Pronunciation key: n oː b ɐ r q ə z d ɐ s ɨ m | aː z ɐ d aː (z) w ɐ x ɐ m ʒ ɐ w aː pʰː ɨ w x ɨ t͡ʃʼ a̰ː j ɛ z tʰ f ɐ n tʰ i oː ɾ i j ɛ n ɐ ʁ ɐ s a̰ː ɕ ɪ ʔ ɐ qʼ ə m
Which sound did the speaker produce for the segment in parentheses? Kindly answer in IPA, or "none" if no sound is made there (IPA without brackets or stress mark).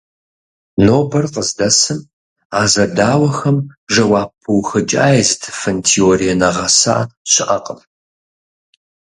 none